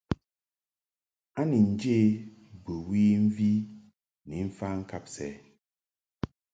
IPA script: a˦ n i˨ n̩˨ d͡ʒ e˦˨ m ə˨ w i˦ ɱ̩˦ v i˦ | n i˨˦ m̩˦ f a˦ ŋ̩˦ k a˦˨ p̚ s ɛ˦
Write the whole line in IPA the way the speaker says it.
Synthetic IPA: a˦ n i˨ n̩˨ d͡ʒ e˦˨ b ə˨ w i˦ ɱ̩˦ v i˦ | n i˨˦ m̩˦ f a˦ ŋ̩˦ k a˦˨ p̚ s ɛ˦